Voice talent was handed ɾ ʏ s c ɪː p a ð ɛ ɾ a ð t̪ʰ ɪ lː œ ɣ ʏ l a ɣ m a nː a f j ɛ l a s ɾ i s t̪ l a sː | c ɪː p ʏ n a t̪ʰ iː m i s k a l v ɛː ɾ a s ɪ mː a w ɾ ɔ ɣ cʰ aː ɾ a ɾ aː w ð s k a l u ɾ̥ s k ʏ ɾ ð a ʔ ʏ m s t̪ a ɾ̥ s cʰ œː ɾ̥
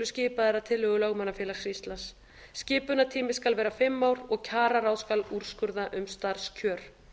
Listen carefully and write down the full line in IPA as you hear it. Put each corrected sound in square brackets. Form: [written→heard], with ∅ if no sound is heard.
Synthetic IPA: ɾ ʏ s c ɪː p a ð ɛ ɾ a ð t̪ʰ ɪ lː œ ɣ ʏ l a ɣ m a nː a f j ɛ l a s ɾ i s t̪ l a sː | c ɪː p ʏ n a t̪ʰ iː m [i→ɪ] s k a l v ɛː ɾ a [s→f] ɪ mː a w ɾ ɔ ɣ cʰ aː ɾ a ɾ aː w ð s k a l u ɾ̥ s k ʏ ɾ ð a ʔ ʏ m s t̪ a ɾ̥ s cʰ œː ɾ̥